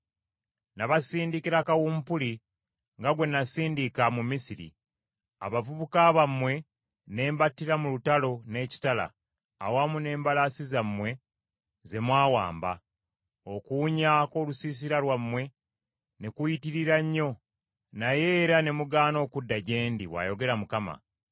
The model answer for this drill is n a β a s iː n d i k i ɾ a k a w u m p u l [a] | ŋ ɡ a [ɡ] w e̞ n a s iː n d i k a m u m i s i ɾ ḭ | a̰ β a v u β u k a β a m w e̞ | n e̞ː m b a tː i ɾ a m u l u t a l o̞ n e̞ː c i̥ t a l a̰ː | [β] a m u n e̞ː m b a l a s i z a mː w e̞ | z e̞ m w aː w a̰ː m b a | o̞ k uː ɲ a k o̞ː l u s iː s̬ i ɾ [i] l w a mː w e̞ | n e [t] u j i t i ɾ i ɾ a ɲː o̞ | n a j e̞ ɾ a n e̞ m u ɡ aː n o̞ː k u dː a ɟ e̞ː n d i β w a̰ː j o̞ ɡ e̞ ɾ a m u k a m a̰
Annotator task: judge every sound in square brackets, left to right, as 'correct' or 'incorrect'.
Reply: incorrect: i, correct, incorrect: w, incorrect: a, incorrect: k

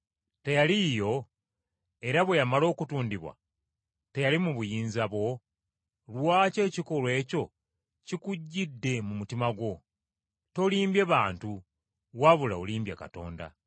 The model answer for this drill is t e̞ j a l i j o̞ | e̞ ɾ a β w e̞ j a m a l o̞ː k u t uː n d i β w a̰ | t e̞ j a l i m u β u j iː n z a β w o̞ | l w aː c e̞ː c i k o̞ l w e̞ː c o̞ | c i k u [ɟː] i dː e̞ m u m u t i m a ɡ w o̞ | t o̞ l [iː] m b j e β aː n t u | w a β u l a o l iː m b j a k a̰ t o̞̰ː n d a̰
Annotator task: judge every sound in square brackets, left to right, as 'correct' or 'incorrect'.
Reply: correct, correct

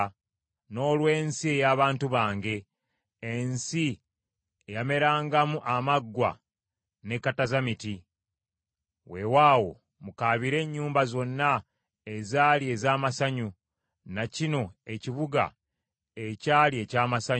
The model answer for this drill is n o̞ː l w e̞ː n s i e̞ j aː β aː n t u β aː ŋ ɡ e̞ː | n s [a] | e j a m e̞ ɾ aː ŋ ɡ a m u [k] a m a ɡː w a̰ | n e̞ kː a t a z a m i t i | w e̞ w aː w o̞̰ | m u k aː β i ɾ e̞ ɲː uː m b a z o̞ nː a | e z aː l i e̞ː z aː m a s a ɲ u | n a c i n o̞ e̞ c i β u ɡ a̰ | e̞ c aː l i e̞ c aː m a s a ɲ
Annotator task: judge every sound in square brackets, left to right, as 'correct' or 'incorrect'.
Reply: incorrect: i, incorrect: ʔ

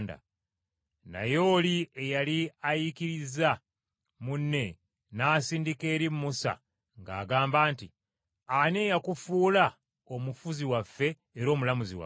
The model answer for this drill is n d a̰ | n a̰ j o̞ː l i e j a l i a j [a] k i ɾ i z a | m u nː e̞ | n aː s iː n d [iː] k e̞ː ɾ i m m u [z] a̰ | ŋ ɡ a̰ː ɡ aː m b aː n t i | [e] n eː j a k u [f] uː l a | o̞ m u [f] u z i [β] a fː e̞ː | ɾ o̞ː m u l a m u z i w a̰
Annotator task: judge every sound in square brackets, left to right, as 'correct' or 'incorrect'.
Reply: incorrect: i, incorrect: i, incorrect: s, incorrect: a, correct, correct, incorrect: w

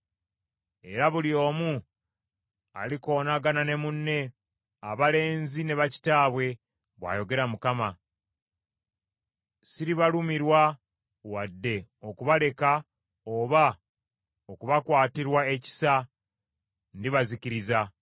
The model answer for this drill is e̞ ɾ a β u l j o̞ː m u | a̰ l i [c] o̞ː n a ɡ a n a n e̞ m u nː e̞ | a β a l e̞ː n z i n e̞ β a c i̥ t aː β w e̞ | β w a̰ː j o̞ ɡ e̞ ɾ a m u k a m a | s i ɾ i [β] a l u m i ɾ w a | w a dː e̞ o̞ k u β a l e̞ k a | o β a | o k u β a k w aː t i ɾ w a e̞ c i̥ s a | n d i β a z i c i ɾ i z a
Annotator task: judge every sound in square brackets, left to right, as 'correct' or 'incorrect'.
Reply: incorrect: k, correct

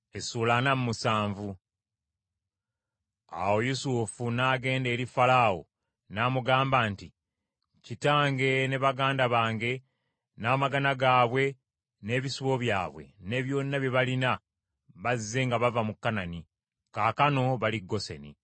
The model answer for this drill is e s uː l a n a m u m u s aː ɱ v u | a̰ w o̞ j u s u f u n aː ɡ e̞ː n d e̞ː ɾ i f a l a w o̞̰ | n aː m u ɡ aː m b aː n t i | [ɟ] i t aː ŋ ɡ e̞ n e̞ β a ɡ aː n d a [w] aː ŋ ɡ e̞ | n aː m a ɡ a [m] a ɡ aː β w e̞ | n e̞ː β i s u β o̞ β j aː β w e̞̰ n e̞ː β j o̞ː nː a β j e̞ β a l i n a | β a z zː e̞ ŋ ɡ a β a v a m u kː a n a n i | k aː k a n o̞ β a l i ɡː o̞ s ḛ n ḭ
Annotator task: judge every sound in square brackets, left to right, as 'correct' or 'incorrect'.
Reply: incorrect: c, incorrect: β, incorrect: n

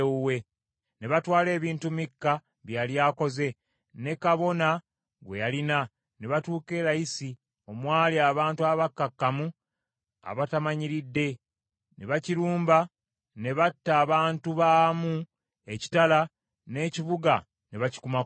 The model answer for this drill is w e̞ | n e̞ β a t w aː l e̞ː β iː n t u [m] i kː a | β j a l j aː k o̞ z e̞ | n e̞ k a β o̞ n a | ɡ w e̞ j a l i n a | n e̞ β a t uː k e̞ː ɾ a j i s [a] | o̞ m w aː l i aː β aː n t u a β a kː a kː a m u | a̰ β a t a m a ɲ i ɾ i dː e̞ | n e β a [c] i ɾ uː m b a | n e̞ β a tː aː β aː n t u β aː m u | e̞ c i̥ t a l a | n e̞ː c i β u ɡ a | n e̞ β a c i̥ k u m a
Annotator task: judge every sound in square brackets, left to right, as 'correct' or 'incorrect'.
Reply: correct, incorrect: i, correct

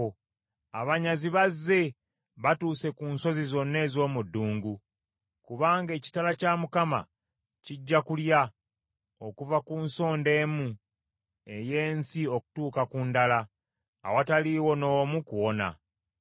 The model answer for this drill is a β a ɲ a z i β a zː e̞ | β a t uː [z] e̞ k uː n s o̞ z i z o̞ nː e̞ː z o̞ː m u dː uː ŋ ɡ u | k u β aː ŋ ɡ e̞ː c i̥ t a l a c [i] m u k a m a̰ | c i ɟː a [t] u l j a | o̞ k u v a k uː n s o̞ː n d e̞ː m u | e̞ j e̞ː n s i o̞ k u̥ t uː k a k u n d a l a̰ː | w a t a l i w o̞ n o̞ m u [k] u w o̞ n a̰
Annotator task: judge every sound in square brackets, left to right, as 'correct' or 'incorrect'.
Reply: incorrect: s, incorrect: a, incorrect: k, correct

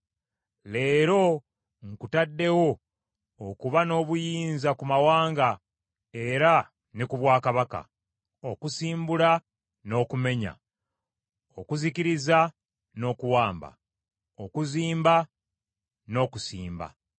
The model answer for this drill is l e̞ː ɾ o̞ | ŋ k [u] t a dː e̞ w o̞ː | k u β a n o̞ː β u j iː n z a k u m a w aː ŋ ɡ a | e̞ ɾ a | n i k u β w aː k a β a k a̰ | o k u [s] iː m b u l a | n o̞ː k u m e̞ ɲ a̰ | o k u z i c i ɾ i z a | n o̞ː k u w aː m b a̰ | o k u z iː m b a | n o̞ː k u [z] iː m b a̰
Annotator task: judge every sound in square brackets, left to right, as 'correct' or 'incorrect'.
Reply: correct, correct, incorrect: s

